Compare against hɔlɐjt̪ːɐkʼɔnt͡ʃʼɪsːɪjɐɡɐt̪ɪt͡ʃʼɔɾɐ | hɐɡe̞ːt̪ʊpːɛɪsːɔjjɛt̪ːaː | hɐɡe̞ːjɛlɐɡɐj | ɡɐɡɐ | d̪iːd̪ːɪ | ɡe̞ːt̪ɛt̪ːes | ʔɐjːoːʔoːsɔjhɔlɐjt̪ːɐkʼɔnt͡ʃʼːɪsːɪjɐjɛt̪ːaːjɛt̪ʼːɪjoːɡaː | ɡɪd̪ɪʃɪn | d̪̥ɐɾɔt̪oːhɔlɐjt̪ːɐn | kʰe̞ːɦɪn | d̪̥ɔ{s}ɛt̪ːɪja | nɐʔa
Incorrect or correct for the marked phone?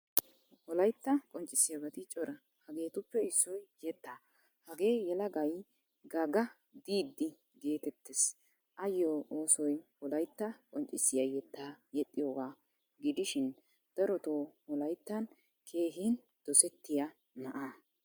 correct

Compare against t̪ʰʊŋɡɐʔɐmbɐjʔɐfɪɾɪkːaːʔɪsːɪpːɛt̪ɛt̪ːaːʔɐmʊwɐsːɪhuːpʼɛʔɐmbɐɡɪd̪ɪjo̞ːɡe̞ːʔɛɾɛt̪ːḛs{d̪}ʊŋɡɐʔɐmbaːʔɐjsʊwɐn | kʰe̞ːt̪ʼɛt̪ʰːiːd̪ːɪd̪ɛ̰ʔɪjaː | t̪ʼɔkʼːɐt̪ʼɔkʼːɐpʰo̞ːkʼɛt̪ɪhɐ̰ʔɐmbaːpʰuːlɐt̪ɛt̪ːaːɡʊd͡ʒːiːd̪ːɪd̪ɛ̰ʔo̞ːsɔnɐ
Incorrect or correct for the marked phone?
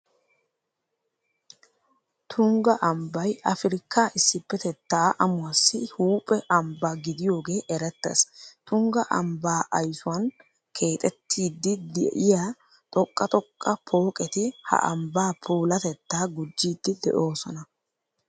incorrect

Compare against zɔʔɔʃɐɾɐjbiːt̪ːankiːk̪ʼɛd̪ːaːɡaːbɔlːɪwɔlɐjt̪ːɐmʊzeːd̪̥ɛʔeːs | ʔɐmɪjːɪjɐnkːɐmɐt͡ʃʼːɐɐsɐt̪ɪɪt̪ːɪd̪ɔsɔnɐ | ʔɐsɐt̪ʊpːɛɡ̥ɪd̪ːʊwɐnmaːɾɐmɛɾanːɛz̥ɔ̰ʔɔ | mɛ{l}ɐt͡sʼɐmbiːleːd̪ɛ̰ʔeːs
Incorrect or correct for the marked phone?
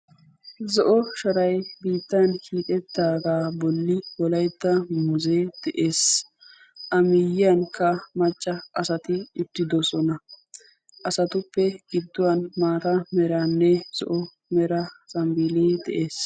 incorrect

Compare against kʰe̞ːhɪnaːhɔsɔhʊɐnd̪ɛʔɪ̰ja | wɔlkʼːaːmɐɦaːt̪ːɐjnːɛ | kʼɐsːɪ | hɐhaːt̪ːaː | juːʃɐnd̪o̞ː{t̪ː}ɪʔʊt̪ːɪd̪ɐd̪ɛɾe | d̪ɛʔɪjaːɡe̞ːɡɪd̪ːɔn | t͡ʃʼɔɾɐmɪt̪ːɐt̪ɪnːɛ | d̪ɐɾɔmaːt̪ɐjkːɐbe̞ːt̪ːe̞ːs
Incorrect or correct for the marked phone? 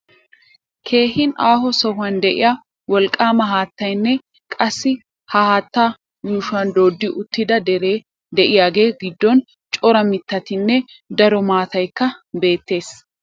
incorrect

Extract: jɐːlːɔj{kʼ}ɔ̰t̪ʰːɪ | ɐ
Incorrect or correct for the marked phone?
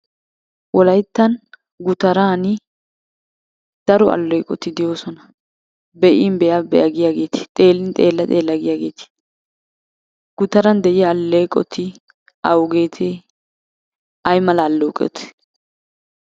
correct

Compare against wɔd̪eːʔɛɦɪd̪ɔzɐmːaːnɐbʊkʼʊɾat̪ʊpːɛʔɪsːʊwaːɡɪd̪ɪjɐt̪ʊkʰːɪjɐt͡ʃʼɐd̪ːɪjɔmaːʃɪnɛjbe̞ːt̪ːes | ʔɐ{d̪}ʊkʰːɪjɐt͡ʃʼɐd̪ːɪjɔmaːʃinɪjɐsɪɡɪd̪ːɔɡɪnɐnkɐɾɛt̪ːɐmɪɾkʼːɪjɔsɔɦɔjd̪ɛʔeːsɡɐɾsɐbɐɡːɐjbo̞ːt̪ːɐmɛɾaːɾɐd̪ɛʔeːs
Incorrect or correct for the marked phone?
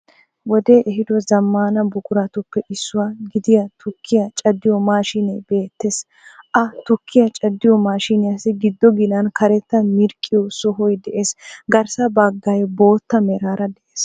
incorrect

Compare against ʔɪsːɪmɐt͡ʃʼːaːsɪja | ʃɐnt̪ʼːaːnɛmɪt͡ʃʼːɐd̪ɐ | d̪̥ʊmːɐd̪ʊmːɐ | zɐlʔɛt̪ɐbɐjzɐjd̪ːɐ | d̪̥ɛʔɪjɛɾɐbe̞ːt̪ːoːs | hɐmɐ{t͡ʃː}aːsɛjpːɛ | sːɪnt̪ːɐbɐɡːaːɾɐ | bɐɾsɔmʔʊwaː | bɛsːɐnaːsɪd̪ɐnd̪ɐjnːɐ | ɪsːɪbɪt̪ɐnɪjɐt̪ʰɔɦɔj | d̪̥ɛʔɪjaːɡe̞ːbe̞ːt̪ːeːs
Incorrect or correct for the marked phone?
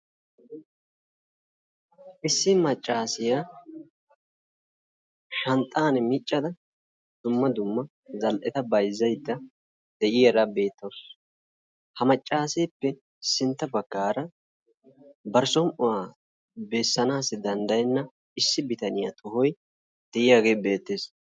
incorrect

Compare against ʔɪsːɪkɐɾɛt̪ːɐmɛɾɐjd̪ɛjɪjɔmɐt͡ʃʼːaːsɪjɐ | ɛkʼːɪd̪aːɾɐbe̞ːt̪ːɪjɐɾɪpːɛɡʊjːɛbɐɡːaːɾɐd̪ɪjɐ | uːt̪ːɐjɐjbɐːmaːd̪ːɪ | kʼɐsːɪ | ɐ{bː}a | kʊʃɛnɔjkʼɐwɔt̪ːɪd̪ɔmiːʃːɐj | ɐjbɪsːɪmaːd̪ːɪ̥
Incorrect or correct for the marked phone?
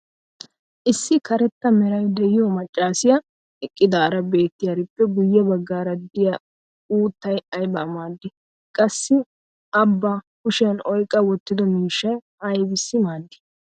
correct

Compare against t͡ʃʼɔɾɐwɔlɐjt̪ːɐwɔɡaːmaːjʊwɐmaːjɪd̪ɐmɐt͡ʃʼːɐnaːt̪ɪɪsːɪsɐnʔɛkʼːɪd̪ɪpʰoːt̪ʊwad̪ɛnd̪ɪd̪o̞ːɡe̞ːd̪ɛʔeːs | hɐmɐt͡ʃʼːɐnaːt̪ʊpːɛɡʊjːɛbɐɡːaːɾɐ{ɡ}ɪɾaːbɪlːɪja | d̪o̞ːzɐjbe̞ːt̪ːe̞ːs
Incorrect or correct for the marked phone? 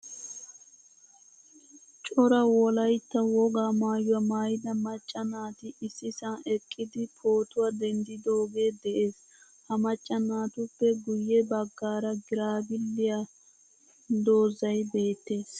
correct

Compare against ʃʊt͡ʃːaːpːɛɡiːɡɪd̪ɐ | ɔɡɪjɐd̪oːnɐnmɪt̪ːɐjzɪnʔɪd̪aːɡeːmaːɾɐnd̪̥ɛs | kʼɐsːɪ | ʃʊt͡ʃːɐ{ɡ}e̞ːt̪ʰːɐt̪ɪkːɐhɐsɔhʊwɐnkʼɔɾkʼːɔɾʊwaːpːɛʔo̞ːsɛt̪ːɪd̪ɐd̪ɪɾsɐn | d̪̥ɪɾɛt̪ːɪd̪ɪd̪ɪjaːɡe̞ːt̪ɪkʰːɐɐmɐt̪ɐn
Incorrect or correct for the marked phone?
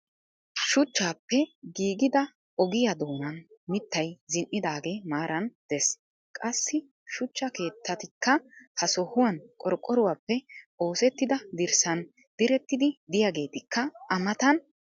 incorrect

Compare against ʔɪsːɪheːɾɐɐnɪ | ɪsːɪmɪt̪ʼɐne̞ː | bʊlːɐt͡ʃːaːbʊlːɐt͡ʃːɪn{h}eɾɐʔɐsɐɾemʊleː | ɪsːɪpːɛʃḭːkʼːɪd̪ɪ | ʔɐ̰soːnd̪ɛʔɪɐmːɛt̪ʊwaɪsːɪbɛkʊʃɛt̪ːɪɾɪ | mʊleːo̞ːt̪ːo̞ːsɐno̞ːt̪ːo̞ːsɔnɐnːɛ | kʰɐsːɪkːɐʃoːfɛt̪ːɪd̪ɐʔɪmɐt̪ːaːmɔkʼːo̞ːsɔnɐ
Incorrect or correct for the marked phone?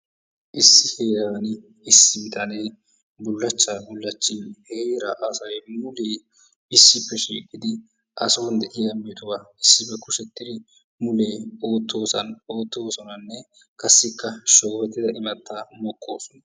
correct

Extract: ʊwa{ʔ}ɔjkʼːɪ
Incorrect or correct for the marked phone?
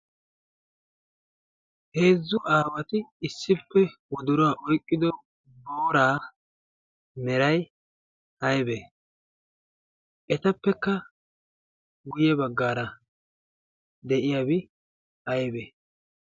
correct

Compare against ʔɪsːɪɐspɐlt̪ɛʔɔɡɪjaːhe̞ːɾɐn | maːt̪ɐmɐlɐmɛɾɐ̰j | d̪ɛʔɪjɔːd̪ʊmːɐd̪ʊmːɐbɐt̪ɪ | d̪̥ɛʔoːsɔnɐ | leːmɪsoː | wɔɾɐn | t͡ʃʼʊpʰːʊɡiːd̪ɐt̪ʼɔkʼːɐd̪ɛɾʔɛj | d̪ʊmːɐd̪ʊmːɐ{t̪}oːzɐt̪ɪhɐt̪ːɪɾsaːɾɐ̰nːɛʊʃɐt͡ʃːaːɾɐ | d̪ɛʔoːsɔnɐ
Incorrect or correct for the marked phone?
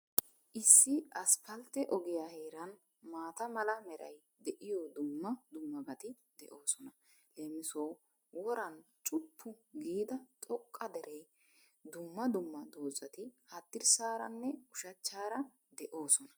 incorrect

